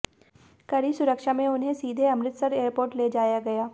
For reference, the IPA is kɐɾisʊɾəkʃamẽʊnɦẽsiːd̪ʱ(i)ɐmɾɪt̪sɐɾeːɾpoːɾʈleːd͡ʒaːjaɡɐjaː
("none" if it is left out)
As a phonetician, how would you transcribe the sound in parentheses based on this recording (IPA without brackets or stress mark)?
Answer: e